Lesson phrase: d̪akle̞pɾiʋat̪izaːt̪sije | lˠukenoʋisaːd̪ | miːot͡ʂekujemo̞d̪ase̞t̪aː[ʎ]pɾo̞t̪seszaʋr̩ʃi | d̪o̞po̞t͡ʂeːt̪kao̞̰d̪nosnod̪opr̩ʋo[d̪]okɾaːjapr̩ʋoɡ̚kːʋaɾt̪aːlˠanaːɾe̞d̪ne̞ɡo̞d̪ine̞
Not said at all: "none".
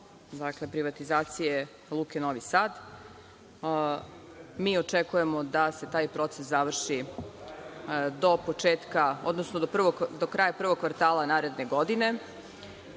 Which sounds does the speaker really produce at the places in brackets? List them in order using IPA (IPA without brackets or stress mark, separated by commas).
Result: j, d̪